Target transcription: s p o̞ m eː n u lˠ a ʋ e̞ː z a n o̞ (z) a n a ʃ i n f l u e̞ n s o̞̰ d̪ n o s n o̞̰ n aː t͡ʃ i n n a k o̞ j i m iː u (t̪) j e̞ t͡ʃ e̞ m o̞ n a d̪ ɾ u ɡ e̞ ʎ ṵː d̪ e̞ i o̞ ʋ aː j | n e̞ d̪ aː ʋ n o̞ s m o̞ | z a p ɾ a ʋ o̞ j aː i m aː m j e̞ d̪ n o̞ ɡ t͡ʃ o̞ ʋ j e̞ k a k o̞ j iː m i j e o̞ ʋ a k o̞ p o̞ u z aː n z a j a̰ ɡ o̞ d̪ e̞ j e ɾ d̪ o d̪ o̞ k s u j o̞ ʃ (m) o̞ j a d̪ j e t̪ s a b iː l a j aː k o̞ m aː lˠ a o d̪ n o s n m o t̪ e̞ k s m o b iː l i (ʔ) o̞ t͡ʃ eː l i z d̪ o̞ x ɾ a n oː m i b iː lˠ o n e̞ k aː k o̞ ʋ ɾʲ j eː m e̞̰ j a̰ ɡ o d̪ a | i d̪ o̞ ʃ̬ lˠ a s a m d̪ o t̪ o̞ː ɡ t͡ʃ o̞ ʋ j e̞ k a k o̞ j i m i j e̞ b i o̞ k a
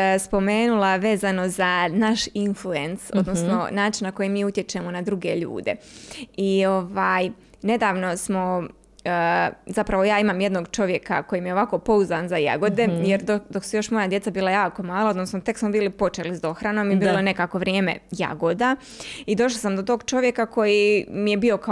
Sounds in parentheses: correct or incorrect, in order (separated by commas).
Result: correct, correct, correct, incorrect